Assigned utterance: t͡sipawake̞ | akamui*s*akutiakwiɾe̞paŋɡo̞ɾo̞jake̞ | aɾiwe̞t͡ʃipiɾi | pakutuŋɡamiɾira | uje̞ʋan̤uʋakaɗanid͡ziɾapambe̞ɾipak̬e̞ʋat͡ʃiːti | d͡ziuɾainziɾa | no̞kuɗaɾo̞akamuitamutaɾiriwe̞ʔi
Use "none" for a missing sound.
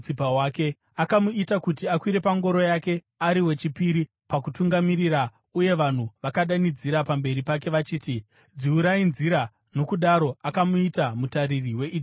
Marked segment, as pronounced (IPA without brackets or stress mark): t